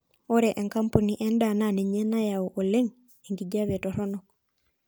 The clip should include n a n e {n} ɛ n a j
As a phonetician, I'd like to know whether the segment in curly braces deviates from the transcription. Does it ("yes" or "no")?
yes